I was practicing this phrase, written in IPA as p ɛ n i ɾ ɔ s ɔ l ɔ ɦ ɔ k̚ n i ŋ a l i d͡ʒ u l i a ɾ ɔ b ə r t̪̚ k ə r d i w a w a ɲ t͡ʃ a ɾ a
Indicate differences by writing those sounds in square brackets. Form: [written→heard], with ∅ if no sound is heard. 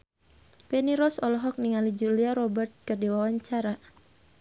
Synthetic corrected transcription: p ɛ n i ɾ ɔ s ɔ l ɔ ɦ ɔ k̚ n i ŋ a l i d͡ʒ u l i a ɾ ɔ b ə r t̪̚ k ə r d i w a w a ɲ t͡ʃ a ɾ a

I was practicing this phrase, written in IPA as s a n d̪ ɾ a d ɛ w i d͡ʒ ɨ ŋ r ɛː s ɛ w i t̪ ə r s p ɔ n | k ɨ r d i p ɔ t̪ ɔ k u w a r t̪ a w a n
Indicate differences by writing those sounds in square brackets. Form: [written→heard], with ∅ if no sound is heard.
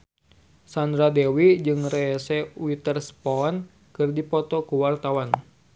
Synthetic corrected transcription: s a n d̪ ɾ a d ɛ w i d͡ʒ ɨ ŋ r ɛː s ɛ w i t̪ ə r s p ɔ n | k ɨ r d i p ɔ t̪ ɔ k u w a r t̪ a w a n

